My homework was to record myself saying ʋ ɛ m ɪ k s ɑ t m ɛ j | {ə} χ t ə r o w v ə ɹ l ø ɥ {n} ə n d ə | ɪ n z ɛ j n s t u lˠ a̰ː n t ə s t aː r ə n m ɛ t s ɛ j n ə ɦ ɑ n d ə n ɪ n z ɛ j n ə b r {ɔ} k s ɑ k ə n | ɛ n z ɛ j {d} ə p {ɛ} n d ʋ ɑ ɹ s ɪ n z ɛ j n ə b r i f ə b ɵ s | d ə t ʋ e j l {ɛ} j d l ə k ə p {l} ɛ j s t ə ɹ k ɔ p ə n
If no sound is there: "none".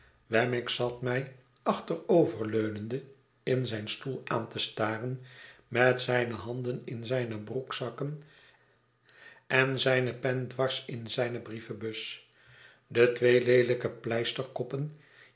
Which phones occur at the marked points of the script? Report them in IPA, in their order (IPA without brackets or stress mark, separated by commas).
ɑ, n, u, n, ɛ, e, l